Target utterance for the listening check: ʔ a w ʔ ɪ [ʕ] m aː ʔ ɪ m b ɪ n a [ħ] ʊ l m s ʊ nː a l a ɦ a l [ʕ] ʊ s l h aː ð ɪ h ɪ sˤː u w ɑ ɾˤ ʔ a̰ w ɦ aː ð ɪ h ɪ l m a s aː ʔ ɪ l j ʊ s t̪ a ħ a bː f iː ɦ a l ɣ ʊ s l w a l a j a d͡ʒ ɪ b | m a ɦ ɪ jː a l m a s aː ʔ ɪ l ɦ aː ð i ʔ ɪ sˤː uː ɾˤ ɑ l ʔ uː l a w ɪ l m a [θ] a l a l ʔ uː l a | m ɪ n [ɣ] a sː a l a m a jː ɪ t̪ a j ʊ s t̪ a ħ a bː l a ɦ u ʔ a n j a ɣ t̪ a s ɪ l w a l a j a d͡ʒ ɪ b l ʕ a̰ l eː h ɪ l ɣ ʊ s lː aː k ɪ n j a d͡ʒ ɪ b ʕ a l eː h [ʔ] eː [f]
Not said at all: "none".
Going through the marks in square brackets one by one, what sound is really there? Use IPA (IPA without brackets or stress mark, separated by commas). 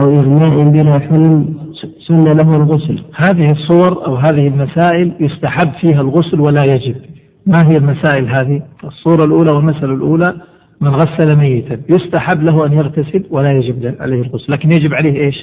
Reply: ɣ, ħ, ɣ, s, ɣ, ʔ, ʃ